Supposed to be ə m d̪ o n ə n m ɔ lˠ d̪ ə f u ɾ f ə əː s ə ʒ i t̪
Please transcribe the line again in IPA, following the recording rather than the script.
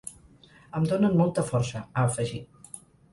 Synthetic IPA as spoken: ə m d̪ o n ə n m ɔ lˠ t̪ ə f ɔ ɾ s ə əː f ə ʒ i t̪